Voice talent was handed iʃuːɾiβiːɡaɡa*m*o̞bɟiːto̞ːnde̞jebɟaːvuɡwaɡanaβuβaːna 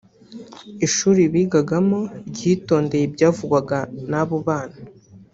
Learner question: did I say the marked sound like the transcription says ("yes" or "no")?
yes